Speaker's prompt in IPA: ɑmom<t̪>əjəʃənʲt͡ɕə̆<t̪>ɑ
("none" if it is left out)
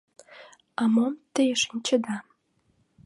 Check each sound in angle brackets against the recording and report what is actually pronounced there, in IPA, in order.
t̪, d̪

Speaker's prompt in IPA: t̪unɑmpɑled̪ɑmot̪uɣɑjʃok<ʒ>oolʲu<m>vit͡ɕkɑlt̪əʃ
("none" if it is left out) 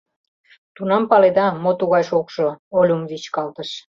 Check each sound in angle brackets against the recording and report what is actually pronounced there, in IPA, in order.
ʃ, m

